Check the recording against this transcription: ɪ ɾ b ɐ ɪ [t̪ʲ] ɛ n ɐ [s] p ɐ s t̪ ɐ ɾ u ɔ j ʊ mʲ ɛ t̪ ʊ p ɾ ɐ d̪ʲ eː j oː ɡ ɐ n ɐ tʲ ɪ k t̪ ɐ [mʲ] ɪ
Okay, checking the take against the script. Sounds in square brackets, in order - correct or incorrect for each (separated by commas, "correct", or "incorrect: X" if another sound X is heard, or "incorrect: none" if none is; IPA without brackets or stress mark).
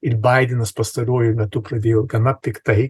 incorrect: d̪ʲ, correct, incorrect: none